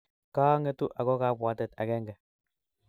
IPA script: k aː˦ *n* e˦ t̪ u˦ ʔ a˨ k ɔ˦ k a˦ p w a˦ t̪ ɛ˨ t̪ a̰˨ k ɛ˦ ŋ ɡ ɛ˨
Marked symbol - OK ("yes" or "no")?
no